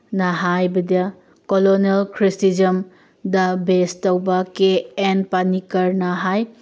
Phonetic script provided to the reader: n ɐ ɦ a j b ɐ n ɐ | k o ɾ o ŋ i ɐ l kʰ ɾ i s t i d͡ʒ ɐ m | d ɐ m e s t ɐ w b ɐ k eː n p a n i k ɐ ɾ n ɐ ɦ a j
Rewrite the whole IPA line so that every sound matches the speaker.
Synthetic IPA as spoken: n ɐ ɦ a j b ɐ d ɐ | k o l o n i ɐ l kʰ ɾ i s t i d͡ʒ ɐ m | d ɐ b e s t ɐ w b ɐ k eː n p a n i k ɐ ɾ n ɐ ɦ a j